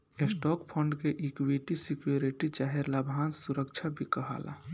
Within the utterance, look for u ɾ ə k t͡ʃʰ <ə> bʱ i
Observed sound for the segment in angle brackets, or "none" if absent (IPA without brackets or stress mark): a